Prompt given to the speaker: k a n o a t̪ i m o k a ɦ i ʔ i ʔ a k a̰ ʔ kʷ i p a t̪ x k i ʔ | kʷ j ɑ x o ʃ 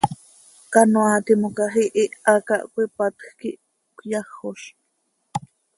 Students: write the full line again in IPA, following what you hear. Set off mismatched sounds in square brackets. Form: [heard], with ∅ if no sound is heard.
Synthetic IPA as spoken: k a n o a t̪ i m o k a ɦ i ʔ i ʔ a k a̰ ʔ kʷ i p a t̪ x k i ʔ | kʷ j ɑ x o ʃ